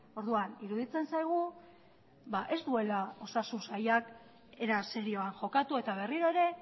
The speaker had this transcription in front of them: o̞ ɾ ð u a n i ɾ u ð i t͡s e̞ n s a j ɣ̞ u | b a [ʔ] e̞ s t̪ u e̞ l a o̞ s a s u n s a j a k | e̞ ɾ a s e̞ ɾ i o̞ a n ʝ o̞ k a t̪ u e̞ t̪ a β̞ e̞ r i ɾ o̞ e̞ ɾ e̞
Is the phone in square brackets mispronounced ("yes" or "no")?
no